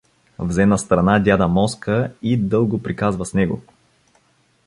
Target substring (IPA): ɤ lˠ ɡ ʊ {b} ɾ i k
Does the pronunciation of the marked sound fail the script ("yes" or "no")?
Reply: yes